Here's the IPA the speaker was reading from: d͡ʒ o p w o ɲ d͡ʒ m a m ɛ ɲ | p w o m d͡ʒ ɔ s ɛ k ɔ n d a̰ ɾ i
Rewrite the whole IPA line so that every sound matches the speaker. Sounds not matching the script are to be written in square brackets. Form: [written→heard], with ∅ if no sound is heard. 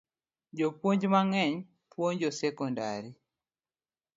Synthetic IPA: d͡ʒ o p w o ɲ d͡ʒ m a [m→ŋ] ɛ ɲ | p w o [m→ɲ] d͡ʒ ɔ s ɛ k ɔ n d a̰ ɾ i